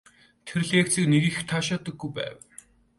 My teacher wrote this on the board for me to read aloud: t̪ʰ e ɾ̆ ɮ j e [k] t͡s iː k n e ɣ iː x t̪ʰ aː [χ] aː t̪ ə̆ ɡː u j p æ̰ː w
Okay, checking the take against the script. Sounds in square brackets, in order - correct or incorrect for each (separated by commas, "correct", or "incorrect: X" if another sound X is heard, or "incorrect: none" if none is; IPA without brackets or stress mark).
correct, incorrect: ʃ